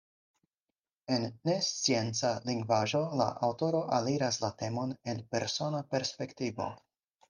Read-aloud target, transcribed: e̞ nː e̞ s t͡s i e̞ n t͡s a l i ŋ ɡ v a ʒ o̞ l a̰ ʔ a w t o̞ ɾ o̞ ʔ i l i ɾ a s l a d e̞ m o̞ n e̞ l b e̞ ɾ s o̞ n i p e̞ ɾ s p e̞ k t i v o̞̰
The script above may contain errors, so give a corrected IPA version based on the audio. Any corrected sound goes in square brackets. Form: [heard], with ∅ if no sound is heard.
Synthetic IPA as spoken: e̞ nː e̞ s t͡s i e̞ n t͡s a l i ŋ ɡ v a ʒ o̞ l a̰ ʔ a w t o̞ ɾ o̞ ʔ [a] l i ɾ a s l a [t] e̞ m o̞ n e̞ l [p] e̞ ɾ s o̞ n [a] p e̞ ɾ s p e̞ k t i v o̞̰